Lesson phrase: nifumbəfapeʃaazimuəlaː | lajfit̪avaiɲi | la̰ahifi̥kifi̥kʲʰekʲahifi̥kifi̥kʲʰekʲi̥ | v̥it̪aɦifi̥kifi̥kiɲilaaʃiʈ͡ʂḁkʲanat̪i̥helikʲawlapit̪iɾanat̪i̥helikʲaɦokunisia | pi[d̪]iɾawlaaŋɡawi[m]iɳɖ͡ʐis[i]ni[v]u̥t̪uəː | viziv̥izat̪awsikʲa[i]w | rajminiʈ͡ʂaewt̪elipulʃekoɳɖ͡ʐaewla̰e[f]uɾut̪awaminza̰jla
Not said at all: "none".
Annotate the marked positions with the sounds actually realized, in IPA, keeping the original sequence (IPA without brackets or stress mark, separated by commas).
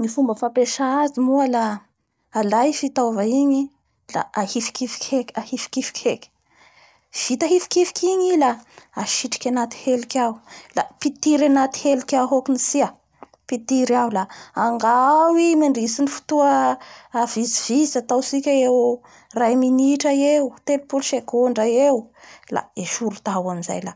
t̪, m, i, f, e, ʃ